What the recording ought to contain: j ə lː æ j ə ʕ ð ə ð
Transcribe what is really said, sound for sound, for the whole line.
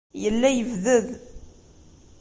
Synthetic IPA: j ə lː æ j ə v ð ə ð